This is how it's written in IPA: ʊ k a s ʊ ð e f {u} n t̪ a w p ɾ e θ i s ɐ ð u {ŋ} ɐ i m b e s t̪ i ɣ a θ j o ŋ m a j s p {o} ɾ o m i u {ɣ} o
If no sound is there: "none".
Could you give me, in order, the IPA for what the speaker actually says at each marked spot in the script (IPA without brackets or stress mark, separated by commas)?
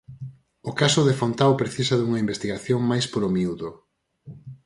o, ŋ, o, ð